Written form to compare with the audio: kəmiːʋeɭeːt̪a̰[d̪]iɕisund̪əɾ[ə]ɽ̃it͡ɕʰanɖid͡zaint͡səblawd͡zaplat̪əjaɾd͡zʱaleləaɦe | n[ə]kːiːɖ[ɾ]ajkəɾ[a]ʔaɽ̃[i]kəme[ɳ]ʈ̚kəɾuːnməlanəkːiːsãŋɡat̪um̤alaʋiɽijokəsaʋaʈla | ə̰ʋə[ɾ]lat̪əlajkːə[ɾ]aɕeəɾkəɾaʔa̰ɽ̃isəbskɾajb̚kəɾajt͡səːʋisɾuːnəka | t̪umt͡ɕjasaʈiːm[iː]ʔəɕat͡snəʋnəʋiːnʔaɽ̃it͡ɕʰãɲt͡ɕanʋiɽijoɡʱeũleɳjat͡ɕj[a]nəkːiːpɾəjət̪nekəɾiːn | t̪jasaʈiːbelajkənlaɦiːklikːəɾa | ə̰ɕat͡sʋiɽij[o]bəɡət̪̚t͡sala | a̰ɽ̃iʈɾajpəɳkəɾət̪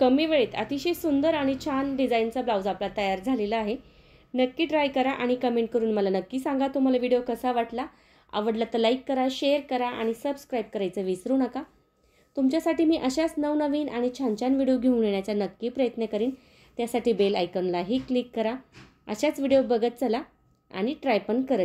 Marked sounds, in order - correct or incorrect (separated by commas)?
incorrect, incorrect, correct, correct, correct, correct, correct, incorrect, correct, correct, correct, correct